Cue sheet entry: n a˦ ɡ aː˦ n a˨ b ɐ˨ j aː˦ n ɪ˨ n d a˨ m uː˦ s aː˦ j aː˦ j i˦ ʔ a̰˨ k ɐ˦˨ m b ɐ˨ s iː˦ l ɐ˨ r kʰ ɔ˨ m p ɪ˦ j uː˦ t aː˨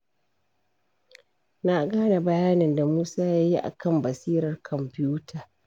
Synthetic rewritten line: n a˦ ɡ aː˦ n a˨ b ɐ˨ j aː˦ n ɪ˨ n d a˨ m uː˦ s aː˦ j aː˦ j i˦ ʔ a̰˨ k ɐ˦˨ m b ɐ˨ s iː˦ ɾ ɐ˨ r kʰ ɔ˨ m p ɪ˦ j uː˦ t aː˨